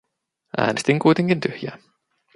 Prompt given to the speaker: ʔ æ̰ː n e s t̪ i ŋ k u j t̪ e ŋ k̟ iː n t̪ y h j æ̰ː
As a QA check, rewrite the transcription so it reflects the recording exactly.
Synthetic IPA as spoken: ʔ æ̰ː n e s t̪ i ŋ k u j t̪ e ŋ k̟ i n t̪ y h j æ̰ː